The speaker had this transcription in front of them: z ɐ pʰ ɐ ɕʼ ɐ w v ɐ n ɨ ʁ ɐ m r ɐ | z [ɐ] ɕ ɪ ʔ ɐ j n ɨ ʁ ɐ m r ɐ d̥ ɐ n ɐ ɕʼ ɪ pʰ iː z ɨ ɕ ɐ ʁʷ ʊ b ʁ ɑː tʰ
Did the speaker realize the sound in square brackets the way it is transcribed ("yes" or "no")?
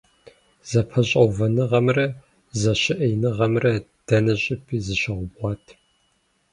yes